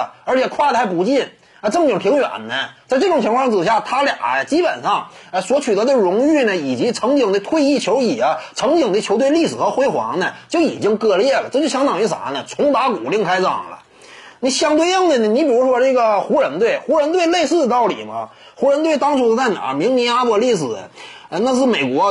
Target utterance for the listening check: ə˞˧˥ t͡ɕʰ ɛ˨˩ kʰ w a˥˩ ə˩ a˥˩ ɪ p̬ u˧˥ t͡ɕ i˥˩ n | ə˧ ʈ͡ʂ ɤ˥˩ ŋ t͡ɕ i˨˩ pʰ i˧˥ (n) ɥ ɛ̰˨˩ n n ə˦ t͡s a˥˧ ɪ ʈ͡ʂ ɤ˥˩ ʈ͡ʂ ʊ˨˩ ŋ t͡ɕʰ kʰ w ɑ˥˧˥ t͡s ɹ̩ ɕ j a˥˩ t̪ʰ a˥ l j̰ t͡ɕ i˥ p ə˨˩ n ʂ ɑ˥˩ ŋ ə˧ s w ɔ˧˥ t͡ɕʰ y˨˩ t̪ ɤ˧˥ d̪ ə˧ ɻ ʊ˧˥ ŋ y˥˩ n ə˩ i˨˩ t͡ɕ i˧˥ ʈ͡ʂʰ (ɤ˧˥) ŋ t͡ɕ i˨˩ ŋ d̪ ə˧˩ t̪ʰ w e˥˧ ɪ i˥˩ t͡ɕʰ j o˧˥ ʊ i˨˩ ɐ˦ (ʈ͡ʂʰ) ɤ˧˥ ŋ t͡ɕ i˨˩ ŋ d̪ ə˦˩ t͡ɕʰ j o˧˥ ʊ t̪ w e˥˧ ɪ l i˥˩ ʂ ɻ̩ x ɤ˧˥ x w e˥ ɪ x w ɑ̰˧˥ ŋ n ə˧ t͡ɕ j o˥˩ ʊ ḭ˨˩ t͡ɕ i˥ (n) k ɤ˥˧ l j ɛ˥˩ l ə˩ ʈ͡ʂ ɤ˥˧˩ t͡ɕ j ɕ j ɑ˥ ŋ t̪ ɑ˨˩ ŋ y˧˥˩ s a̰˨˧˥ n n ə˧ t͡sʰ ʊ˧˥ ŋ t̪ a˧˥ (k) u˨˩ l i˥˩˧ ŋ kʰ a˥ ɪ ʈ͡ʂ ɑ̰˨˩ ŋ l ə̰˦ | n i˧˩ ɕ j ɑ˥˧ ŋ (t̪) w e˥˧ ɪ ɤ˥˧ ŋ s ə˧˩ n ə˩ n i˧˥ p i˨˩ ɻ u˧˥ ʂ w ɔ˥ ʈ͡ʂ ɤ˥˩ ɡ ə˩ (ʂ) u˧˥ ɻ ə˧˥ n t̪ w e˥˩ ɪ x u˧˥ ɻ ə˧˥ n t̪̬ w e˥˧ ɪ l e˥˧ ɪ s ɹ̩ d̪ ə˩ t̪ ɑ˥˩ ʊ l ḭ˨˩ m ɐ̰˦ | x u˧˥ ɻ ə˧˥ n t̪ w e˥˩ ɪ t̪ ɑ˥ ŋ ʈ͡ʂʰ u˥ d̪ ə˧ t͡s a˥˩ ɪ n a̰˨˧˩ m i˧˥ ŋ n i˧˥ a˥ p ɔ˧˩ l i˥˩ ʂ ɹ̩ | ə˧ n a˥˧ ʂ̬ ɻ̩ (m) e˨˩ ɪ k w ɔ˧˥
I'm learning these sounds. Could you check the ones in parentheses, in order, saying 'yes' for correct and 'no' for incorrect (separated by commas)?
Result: no, yes, yes, no, yes, yes, no, yes